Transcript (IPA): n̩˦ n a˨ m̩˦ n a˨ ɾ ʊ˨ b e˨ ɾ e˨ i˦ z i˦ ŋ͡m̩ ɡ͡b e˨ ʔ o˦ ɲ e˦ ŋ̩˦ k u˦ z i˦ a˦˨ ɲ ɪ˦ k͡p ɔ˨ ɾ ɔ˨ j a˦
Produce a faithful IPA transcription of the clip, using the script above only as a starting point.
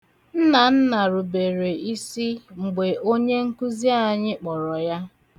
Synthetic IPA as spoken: n̩˦ n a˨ n̩˦ n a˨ ɾ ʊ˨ b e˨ ɾ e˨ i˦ s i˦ ŋ͡m̩ ɡ͡b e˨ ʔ o˦ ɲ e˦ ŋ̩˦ k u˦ z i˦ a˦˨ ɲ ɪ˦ k͡p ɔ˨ ɾ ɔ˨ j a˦